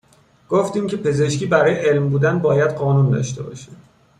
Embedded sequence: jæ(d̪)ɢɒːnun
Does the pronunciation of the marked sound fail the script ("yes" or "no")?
no